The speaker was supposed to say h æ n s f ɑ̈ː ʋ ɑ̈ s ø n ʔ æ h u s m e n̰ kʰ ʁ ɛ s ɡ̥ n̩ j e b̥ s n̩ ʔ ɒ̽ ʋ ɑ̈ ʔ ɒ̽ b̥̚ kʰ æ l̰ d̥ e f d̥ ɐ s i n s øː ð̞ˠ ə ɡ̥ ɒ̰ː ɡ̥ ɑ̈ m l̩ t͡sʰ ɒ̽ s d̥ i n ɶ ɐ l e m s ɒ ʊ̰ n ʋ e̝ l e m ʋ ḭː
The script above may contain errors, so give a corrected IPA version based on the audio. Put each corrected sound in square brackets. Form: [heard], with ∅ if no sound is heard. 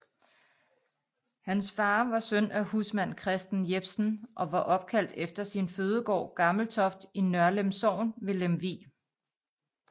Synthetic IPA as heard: h æ n s f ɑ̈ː ʋ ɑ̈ s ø n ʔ æ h u s m [æ] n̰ kʰ ʁ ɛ s [d̥] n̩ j e b̥ s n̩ ʔ ɒ̽ ʋ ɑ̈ ʔ ɒ̽ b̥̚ kʰ æ l̰ d̥ e f d̥ ɐ s i n [f] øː ð̞ˠ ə ɡ̥ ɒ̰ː ɡ̥ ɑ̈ m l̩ t͡sʰ ɒ̽ [f] d̥ i n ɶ ɐ l e m s ɒ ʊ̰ n ʋ e̝ l e m ʋ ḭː